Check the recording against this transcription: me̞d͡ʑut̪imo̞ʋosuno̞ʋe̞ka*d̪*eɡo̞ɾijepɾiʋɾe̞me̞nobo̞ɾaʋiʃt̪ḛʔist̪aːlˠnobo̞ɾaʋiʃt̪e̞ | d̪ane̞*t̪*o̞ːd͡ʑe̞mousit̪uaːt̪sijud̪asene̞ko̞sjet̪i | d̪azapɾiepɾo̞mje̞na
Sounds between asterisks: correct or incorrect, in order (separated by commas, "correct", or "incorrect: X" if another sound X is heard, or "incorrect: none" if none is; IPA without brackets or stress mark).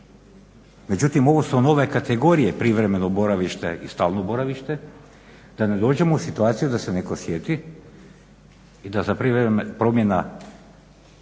incorrect: t̪, incorrect: d̪